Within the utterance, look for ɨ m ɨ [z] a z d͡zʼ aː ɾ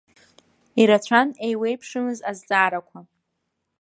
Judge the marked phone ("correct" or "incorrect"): correct